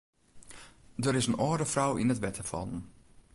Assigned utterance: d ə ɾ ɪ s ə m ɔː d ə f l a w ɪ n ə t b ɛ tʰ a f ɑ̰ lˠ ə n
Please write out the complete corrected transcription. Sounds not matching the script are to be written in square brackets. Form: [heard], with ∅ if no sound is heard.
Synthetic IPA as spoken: d ə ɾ ɪ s ə [n] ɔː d ə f [r] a w ɪ n ə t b ɛ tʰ [ə] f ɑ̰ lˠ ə n

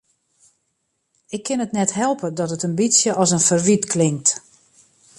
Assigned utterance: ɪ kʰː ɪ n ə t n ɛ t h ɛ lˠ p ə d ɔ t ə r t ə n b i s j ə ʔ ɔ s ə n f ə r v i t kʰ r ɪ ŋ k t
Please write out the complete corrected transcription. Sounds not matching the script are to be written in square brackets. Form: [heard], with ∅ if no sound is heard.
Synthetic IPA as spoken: ɪ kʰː ɪ n ə t n ɛ t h ɛ lˠ p ə d ɔ t ə [∅] t ə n b i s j ə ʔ ɔ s ə n f ə r [ʋ] i t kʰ [l] ɪ ŋ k t

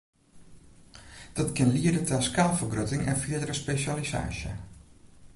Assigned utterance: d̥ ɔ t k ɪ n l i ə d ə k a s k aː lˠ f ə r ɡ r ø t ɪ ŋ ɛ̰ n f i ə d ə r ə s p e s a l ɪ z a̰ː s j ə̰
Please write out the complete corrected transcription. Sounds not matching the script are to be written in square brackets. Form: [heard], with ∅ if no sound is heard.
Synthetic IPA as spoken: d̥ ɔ t k ɪ n l i ə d ə [t] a s k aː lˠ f ə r ɡ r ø t ɪ ŋ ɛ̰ n f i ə d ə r ə s p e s a l [i] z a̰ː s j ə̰

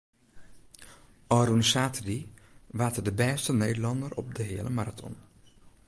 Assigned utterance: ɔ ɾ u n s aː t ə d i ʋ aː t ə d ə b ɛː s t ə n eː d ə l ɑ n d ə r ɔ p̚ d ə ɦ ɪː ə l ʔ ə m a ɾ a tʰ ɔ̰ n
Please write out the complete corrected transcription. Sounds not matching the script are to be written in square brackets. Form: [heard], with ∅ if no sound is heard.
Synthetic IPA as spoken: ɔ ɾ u n s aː t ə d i ʋ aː t ə d ə b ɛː s t ə n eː d ə l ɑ n d ə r ɔ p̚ d ə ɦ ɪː ə l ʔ ə m a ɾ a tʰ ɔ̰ n

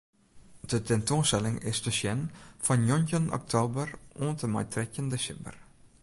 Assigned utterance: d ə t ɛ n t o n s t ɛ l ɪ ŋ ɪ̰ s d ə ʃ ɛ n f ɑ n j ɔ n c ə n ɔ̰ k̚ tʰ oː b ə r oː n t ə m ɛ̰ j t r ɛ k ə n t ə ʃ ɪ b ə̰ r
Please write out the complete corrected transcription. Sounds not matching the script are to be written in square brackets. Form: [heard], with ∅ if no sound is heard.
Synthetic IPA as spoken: d ə t ɛ n t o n s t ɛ l ɪ ŋ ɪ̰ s d ə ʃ ɛ n f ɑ n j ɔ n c ə n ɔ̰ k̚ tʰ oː b ə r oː n t ə m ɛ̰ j t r ɛ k ə n [d] ə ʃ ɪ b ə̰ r

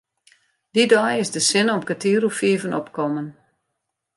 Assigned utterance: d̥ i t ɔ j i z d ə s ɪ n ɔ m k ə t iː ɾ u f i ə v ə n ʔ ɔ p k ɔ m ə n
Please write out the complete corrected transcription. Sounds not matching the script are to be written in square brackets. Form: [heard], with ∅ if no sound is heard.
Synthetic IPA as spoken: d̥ i [d] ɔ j [ɪ] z d ə s ɪ n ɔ m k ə t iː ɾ u f i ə v ə n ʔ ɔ p k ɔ m ə n

